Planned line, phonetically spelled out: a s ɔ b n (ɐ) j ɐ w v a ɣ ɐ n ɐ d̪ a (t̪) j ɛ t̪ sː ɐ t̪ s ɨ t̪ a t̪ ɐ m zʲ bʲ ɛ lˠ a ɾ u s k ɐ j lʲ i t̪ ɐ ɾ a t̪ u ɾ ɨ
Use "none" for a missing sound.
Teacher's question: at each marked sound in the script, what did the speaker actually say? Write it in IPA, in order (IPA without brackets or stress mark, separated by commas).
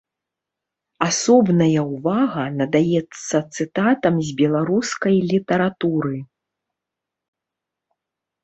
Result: ɐ, none